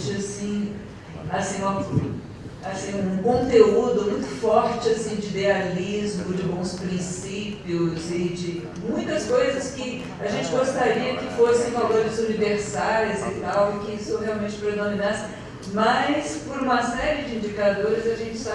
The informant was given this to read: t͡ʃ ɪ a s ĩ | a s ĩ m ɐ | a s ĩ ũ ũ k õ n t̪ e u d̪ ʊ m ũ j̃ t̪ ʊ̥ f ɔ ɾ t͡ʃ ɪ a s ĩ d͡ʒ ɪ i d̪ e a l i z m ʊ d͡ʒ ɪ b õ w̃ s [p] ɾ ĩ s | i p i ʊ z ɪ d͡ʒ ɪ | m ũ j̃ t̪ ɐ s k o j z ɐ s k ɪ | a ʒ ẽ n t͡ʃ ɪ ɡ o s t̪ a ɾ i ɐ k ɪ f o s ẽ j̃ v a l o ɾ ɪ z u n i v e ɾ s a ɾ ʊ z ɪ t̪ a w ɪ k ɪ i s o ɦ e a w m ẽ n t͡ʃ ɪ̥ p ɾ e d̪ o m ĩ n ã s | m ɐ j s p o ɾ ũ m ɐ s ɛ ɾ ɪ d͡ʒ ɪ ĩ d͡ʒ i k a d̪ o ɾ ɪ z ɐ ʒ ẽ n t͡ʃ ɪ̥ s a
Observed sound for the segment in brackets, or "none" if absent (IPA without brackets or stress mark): p